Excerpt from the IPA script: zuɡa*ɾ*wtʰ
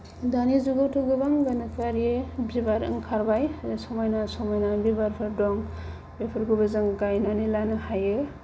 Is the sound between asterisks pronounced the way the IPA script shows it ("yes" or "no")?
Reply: no